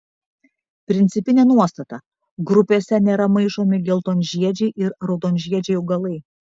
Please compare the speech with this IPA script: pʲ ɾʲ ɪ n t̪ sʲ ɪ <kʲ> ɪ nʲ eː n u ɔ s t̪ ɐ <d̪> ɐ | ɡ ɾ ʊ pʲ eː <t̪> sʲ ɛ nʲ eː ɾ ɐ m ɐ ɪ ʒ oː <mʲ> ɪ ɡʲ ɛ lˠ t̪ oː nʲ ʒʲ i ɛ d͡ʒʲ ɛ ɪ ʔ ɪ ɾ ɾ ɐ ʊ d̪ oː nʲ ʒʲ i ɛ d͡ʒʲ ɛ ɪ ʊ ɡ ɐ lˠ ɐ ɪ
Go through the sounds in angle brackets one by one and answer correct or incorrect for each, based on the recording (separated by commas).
incorrect, incorrect, incorrect, correct